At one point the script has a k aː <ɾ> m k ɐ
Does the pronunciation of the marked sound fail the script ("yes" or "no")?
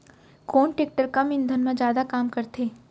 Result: yes